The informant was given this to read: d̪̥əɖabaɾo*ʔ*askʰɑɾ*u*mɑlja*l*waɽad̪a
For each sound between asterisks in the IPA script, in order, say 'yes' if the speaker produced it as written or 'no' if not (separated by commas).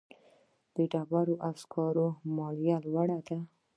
yes, no, yes